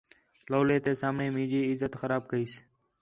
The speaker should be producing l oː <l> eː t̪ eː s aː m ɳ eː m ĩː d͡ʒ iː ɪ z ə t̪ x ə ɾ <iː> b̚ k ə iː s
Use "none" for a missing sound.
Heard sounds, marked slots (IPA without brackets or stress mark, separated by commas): l, aː